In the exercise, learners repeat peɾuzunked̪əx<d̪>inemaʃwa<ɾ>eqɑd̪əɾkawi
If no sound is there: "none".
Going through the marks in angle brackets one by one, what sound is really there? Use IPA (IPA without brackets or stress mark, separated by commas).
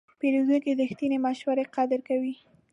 t̪, ɾ